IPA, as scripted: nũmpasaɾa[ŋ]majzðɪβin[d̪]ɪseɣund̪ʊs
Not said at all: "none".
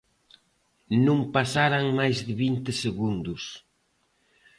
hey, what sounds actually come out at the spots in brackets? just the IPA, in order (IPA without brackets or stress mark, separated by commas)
ŋ, t̪